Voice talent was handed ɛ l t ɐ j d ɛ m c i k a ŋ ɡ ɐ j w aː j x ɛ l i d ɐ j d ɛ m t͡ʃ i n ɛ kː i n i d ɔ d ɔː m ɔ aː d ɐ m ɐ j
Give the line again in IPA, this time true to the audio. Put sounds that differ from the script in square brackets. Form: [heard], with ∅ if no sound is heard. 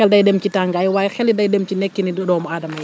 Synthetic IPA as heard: ɛ l [d] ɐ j d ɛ m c i [t] a ŋ ɡ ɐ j w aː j x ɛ l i d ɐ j d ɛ m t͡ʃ i n ɛ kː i n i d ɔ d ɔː m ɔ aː d ɐ m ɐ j